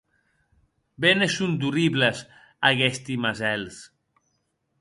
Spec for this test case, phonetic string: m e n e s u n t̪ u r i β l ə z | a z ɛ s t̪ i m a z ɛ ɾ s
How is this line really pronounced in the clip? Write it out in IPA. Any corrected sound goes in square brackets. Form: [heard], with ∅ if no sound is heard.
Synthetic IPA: [b] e n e s u n [d̪] u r i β l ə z | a [ɣ] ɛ s t̪ i m a z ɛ [l] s